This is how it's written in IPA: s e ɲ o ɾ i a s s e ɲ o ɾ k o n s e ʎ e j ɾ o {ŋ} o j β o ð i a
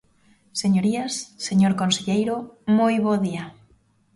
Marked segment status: incorrect: m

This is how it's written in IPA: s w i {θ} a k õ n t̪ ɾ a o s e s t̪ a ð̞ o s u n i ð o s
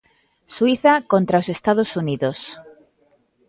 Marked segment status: correct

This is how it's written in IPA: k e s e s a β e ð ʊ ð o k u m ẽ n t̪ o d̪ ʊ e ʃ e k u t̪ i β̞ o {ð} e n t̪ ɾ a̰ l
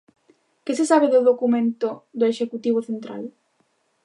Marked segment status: incorrect: θ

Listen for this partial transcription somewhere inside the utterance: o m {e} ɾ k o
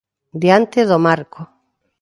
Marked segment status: incorrect: a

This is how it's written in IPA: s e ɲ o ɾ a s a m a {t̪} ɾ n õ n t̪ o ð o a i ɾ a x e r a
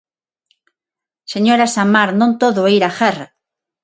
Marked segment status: incorrect: none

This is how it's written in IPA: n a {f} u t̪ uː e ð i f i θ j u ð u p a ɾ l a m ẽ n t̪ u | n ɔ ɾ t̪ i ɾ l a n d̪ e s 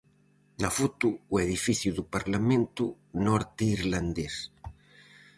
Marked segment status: correct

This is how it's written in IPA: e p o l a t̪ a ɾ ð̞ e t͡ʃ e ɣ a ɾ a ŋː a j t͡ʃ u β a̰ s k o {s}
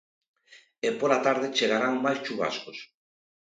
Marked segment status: correct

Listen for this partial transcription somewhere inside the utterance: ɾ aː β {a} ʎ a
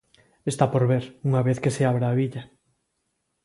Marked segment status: incorrect: i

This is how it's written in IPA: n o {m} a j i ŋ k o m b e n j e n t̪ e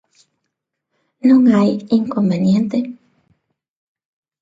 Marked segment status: incorrect: ŋ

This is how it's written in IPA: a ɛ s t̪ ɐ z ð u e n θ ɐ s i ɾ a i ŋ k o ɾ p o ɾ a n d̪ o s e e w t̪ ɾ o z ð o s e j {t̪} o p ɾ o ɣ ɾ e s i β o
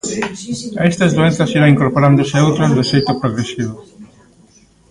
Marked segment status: correct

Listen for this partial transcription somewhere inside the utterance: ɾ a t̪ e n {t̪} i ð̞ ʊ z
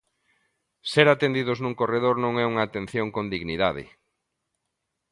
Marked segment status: incorrect: d̪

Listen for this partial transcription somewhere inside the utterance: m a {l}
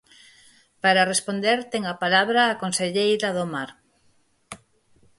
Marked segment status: incorrect: ɾ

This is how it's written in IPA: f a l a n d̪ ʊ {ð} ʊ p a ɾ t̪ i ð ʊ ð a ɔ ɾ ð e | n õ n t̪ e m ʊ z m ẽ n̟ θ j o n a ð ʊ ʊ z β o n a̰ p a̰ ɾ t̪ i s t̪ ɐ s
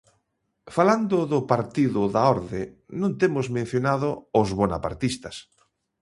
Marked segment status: correct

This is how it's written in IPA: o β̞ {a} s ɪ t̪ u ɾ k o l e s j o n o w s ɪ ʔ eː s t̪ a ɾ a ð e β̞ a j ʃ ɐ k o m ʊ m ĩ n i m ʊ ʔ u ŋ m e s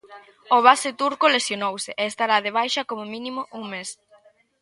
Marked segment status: correct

